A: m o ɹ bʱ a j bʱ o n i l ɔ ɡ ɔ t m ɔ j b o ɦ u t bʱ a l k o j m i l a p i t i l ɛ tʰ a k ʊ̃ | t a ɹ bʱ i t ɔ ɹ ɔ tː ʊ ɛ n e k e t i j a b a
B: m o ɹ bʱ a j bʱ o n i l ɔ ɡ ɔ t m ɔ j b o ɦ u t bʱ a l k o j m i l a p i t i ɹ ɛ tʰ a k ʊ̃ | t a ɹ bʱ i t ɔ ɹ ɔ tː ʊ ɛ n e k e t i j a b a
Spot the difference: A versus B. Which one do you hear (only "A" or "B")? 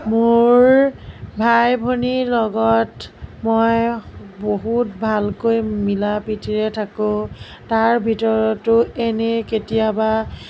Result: B